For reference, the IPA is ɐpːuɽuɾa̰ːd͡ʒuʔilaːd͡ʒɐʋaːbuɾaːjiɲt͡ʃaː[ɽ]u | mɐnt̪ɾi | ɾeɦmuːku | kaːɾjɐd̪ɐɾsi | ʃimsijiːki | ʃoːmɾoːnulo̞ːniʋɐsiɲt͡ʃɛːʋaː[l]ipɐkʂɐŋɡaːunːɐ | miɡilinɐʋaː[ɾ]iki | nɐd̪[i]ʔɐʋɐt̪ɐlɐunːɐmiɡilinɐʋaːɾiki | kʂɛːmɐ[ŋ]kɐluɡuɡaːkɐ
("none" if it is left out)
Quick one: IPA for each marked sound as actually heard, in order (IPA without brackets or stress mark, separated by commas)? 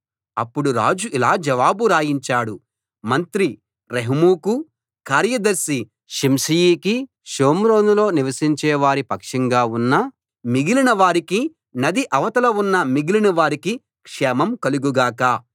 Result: ɽ, ɾ, ɾ, i, m